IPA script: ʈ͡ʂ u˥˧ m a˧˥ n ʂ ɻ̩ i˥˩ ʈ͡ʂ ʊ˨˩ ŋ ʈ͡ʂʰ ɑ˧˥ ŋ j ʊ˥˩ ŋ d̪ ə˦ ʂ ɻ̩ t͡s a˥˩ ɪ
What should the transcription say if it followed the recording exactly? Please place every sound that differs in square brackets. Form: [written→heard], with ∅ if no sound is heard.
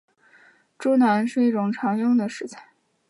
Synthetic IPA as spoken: ʈ͡ʂ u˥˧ [m→n] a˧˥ n ʂ ɻ̩ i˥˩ ʈ͡ʂ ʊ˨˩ ŋ ʈ͡ʂʰ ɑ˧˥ ŋ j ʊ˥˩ ŋ d̪ [ə˦→ə˩] ʂ ɻ̩ [t͡s→t͡sʰ] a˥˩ ɪ